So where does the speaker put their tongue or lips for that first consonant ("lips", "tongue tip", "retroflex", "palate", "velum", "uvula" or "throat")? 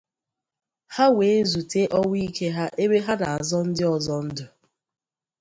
throat